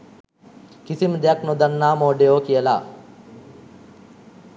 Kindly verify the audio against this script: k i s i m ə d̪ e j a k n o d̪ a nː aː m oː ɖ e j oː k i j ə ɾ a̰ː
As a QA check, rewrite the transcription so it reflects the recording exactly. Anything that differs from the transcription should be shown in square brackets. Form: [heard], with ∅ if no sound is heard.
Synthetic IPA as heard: k i s i m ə d̪ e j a k n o d̪ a nː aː m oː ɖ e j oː k i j ə [l] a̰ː